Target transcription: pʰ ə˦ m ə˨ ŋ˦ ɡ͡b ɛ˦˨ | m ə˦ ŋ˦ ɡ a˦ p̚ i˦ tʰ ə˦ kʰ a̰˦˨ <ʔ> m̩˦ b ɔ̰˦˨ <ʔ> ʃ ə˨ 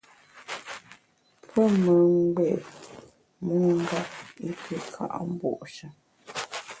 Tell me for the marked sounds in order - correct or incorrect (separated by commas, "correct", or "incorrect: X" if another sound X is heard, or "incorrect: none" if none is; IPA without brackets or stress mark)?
correct, correct